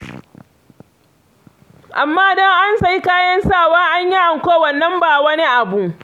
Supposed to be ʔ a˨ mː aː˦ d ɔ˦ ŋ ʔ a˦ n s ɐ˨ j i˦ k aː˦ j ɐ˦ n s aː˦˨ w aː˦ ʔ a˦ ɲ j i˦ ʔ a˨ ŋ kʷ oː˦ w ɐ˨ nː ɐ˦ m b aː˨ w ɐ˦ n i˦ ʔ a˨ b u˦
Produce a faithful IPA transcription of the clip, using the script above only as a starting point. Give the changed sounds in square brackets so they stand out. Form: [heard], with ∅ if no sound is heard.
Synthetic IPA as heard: ʔ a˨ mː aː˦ d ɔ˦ ŋ ʔ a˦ n s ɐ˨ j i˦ k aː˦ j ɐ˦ n s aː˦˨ w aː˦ ʔ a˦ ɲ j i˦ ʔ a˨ ŋ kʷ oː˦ w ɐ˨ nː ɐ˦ m b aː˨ w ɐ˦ n i˦ ʔ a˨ b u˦